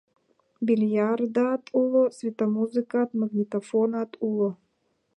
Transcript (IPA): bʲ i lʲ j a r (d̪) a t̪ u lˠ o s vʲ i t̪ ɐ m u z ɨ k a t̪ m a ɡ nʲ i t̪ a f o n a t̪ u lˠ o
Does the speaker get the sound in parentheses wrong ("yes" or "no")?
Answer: no